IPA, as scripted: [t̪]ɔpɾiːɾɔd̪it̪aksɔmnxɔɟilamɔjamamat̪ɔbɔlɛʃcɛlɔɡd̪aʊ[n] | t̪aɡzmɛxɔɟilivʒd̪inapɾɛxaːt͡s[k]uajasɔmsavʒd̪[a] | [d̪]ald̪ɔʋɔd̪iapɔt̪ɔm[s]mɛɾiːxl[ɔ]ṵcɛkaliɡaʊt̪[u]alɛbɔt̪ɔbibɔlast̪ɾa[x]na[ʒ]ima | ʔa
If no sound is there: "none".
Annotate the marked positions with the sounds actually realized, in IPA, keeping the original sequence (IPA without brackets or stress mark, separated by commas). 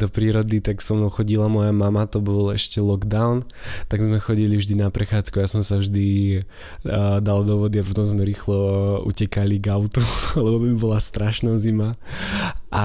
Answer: d̪, n, k, i, d̪, z, ɔ, u, ʃ, z